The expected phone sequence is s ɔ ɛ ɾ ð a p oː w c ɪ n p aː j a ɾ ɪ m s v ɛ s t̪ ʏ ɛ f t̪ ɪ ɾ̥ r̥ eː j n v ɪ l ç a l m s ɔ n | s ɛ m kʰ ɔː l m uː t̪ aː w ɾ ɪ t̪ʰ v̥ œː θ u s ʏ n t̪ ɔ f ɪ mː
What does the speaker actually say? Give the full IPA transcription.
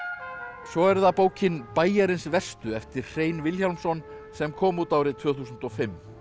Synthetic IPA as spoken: s ɔ ɛ ɾ ð a p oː w c ɪ n p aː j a ɾ ɪ n s v ɛ s t̪ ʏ ɛ f t̪ ɪ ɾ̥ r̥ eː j n v ɪ l ç a l m s ɔ n | s ɛ m kʰ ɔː m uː t̪ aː w ɾ ɪ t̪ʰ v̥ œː θ u s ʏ n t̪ ɔ f ɪ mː